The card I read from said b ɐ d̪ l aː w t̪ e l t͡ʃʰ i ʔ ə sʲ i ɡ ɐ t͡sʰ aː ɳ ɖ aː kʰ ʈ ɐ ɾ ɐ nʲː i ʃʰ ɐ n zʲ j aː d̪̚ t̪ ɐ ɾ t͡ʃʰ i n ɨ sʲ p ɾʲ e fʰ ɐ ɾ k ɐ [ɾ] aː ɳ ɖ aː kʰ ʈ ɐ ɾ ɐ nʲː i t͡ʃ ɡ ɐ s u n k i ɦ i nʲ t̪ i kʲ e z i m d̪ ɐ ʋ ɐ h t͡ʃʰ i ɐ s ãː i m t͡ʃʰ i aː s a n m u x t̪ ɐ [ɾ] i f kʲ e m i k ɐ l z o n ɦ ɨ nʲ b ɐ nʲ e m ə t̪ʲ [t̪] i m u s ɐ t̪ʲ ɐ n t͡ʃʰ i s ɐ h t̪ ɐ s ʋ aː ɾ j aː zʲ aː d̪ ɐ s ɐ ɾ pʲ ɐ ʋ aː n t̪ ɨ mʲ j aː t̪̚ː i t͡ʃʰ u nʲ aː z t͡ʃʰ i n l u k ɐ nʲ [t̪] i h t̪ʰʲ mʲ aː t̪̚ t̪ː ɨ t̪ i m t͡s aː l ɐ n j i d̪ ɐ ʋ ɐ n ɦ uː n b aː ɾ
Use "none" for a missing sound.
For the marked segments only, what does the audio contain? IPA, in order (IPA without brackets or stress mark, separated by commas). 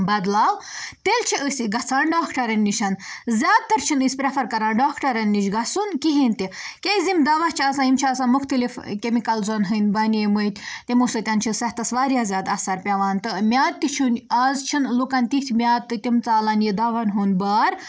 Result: ɾ, l, t̪, t̪